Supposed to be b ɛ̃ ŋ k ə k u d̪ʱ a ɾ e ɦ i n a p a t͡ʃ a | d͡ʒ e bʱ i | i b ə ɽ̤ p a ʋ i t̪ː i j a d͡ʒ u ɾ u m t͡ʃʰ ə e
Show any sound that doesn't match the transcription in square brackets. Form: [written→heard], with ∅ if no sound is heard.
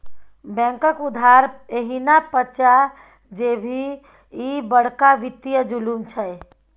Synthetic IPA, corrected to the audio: b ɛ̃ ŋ k ə k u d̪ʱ a ɾ e ɦ i n a p [a→ə] t͡ʃ a | d͡ʒ e bʱ i | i b ə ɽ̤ [p→k] a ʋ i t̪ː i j [a→ə] d͡ʒ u [ɾ→l] u m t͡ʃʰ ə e